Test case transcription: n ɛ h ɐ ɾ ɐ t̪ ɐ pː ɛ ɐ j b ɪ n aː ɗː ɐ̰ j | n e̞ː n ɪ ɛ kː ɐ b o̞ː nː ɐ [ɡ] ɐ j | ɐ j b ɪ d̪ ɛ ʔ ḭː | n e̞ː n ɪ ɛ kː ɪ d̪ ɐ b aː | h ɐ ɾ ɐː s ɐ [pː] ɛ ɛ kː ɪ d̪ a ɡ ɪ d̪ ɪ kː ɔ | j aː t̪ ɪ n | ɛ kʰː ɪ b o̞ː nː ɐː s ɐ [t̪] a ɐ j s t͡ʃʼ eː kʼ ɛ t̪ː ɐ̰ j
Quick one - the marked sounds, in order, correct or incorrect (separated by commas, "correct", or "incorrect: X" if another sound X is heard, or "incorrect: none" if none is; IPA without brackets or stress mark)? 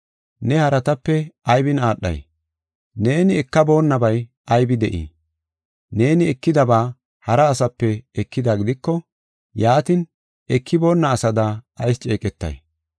incorrect: b, correct, incorrect: d̪